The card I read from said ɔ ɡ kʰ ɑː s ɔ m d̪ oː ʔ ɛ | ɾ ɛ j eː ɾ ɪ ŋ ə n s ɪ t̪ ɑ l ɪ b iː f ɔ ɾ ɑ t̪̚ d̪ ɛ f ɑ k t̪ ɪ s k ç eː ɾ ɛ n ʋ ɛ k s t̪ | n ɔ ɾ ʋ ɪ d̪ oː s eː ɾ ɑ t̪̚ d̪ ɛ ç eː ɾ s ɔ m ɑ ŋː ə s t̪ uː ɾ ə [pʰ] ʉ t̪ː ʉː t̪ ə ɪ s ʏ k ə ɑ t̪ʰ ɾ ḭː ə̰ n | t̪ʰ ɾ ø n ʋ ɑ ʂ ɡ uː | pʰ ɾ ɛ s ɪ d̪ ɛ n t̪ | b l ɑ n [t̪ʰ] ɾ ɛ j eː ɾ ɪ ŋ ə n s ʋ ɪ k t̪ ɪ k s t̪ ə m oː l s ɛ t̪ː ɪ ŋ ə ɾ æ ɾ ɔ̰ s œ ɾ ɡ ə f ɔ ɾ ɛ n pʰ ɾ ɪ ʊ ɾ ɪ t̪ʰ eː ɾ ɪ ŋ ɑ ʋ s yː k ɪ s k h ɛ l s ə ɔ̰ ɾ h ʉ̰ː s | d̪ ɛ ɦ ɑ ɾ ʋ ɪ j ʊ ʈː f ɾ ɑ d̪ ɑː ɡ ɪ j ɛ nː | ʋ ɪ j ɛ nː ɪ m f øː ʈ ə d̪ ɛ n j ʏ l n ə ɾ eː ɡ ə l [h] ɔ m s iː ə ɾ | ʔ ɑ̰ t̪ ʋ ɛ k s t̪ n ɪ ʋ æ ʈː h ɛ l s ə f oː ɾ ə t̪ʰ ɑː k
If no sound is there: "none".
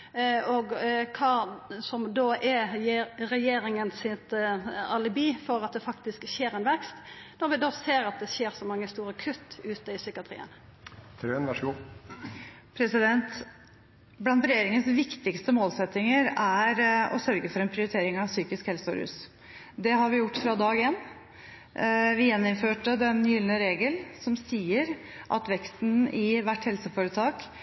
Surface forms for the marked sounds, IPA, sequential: kʰ, t̪, s

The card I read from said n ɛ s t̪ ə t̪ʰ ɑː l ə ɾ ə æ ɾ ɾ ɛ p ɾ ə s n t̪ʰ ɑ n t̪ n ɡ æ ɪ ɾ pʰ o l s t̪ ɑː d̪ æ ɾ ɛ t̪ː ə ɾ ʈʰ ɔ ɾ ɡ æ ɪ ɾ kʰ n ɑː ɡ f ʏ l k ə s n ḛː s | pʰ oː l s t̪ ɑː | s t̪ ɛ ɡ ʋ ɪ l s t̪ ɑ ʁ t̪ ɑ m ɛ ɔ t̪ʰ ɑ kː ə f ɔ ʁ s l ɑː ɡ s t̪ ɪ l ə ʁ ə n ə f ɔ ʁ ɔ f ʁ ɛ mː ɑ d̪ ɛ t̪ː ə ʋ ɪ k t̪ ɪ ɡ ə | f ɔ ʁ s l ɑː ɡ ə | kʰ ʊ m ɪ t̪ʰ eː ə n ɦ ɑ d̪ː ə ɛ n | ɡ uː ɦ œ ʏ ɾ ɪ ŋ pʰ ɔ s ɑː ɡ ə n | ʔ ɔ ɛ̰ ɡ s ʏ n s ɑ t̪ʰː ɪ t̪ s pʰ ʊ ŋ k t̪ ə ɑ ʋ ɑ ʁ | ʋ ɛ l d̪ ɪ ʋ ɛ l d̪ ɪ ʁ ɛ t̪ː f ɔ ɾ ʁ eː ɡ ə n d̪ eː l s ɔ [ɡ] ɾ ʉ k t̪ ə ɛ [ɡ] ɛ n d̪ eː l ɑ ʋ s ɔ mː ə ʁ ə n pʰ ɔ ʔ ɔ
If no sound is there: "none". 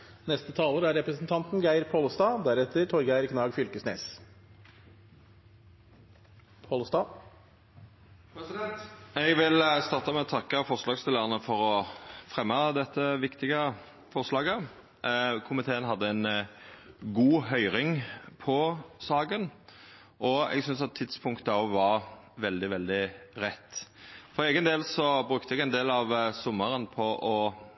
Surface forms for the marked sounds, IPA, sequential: b, ɡ

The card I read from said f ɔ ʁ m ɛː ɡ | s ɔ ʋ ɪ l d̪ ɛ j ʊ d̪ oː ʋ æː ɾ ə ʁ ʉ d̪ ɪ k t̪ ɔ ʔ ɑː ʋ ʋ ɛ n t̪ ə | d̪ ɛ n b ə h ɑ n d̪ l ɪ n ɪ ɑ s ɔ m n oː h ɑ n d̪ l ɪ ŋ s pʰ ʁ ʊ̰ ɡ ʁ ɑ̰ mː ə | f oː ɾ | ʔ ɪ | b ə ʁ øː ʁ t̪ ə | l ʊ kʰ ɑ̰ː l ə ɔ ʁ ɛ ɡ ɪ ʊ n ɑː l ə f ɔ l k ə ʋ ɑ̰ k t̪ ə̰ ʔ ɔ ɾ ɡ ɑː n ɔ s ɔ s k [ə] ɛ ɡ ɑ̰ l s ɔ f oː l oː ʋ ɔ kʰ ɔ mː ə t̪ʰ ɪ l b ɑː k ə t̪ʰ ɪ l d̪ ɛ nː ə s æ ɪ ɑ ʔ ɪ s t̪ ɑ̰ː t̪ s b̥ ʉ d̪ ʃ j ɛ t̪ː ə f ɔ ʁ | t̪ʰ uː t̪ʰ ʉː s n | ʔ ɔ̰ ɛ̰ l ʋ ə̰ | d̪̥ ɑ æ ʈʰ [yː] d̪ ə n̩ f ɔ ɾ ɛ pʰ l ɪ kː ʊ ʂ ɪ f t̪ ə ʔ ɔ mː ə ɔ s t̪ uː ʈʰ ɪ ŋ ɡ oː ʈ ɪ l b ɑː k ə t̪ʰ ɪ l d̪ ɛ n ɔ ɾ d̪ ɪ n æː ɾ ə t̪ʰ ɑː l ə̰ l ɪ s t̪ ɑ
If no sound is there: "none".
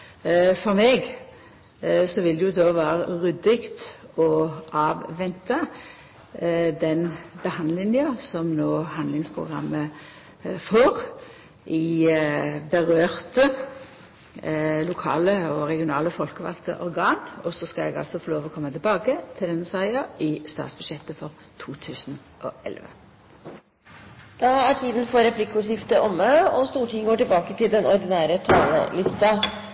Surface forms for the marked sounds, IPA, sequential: ɑ, iː

